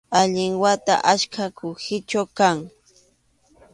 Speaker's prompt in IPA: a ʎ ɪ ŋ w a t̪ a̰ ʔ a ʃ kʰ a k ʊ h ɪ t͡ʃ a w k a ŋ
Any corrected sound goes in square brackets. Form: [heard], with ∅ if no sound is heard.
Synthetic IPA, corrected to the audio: a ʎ ɪ ŋ w a t̪ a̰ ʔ a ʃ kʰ a k ʊ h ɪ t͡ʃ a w k a ŋ